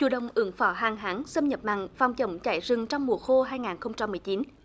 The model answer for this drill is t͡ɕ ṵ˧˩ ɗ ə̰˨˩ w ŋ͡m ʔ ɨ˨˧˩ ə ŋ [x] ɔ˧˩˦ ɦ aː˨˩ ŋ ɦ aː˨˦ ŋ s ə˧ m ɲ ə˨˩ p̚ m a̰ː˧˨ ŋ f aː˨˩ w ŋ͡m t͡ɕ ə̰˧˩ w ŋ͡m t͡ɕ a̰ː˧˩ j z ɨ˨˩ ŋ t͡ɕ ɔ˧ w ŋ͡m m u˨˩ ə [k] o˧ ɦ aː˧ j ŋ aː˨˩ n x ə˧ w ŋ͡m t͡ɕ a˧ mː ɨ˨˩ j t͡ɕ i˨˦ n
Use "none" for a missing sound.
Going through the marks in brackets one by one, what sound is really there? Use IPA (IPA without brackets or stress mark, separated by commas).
f, x